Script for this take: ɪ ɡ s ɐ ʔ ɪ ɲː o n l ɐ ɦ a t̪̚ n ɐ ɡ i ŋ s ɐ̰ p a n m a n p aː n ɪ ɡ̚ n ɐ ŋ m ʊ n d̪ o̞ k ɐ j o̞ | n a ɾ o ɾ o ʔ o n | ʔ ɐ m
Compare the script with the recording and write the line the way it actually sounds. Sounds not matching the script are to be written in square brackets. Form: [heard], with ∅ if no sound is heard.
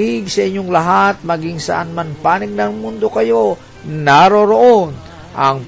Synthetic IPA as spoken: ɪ ɡ s ɐ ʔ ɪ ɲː o [ŋ] l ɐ ɦ a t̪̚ [m] ɐ ɡ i ŋ s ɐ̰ [ʔ] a n m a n p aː n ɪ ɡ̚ n ɐ ŋ m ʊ n d̪ o̞ k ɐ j o̞ | n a ɾ o ɾ o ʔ o n | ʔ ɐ [ŋ]